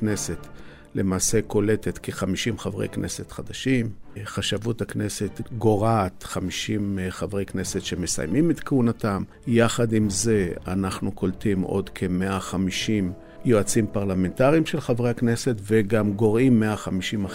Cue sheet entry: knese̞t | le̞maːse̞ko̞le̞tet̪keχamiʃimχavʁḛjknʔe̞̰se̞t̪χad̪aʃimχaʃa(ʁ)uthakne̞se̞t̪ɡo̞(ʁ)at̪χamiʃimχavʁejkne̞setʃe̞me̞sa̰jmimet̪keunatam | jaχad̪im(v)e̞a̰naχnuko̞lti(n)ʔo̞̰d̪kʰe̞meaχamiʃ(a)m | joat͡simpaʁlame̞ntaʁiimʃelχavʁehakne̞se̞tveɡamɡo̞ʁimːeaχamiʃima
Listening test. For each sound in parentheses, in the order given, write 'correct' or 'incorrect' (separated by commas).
incorrect, correct, incorrect, incorrect, incorrect